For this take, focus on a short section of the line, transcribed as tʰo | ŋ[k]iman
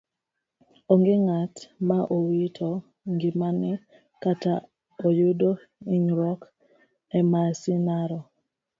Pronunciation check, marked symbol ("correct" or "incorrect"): incorrect